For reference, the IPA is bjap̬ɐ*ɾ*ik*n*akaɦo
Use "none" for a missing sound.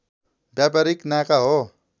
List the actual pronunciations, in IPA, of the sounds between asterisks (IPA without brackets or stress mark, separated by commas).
ɾ, n